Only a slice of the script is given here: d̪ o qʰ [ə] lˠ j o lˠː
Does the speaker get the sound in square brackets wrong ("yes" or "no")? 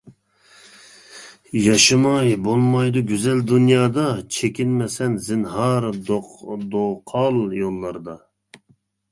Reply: yes